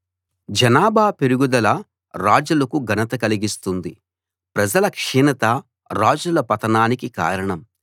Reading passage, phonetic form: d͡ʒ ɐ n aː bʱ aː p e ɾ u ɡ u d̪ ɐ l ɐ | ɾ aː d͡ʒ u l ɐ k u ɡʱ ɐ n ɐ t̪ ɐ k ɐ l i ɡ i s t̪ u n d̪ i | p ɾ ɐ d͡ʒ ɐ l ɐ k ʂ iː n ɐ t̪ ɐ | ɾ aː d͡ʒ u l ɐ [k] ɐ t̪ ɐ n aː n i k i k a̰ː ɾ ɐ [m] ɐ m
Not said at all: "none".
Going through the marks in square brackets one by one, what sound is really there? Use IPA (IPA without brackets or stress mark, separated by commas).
p, ɳ